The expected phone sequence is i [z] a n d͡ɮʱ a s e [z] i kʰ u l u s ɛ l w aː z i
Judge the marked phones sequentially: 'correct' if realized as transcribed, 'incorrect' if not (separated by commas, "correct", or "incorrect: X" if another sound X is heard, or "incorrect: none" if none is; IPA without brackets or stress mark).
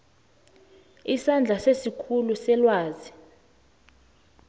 incorrect: s, incorrect: s